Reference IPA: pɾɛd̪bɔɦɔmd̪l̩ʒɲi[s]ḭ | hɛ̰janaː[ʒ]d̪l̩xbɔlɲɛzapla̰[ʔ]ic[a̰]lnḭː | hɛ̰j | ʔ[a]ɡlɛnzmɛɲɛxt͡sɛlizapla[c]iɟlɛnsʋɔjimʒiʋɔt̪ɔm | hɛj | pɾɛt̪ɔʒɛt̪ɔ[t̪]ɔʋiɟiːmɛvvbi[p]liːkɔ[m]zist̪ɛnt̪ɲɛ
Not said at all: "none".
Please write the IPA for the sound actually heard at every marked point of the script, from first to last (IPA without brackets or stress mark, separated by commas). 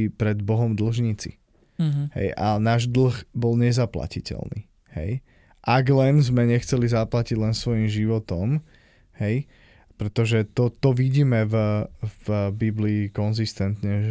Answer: t͡s, ʒ, c, ɛ̰, a, c, t̪, b, n